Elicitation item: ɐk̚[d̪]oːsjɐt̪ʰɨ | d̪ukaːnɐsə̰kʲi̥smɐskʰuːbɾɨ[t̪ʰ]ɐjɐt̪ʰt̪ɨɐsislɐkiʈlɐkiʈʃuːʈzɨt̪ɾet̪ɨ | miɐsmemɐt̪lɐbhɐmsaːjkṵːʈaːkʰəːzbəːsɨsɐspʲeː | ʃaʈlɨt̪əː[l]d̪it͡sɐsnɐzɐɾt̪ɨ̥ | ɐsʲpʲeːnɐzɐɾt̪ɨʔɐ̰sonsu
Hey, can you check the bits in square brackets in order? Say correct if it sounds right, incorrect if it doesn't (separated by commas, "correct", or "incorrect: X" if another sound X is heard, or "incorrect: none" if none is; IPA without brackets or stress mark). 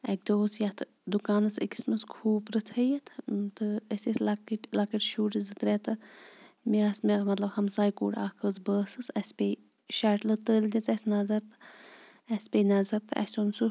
correct, correct, correct